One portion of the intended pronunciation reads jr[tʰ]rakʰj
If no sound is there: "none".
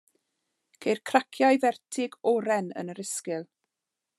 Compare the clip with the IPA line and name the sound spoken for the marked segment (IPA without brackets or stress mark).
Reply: kʰ